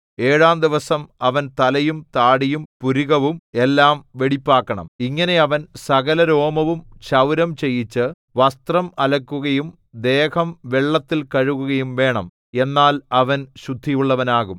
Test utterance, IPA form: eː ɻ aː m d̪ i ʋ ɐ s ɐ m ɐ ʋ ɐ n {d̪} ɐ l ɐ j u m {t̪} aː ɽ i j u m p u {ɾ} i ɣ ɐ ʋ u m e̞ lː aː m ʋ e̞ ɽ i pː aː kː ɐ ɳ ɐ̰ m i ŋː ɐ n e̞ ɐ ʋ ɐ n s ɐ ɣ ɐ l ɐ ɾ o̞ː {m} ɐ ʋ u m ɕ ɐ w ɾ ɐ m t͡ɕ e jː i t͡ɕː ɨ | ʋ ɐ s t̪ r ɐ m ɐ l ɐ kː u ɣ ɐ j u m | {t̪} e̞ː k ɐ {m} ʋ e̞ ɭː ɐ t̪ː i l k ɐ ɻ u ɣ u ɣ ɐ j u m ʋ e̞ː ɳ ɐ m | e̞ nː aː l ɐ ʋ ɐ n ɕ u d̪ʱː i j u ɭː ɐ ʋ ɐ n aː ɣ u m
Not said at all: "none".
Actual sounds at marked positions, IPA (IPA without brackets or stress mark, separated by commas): t̪, t̪, ɾ, m, d̪, m